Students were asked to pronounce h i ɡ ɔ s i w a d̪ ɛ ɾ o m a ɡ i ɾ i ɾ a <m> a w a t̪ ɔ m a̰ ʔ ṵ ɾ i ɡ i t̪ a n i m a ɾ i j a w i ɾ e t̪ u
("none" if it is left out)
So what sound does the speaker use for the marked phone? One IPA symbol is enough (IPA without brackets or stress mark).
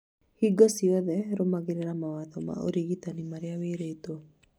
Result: m